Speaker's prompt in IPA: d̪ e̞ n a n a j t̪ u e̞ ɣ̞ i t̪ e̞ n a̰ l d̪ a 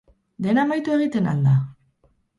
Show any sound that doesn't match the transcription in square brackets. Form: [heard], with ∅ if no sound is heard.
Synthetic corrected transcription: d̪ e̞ n a [m] a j t̪ u e̞ ɣ̞ i t̪ e̞ n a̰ l d̪ a